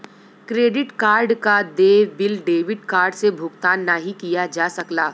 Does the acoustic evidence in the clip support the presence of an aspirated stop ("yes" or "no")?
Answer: no